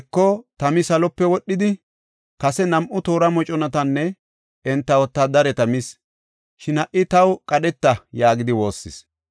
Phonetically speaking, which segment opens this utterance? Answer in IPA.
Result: kː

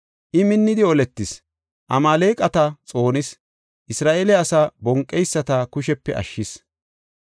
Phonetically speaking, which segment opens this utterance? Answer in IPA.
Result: ʔ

